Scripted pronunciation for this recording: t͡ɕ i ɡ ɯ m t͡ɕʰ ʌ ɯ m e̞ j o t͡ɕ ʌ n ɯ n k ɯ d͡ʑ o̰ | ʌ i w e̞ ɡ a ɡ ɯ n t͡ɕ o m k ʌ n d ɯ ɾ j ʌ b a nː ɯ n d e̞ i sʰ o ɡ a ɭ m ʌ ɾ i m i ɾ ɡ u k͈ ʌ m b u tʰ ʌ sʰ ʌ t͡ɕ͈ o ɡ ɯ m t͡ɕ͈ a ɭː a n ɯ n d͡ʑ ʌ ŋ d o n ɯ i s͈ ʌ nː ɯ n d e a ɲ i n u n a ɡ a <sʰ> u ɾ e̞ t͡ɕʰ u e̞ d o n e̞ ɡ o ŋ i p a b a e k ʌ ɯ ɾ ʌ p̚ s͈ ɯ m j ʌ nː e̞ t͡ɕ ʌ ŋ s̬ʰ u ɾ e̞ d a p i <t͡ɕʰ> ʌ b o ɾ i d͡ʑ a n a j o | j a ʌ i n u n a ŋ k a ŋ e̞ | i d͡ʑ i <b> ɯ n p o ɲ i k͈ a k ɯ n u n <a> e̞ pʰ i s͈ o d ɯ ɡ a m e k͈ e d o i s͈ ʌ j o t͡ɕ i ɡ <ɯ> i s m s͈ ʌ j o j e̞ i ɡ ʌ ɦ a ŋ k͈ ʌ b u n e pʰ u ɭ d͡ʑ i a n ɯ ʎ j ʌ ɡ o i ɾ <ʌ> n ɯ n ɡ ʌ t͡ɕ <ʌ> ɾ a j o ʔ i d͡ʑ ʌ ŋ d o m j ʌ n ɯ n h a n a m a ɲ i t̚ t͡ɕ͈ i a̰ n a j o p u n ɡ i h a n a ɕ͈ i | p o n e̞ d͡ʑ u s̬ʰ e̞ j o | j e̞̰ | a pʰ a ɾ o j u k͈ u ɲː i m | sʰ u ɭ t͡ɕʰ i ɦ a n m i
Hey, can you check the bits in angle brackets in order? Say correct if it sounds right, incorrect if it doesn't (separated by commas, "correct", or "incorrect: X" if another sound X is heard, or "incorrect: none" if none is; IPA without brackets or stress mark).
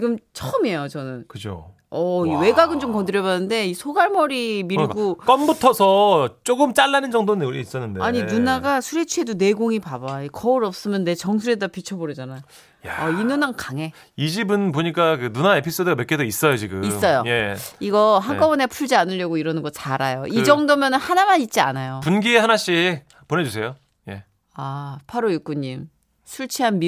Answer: correct, correct, correct, correct, correct, correct, incorrect: a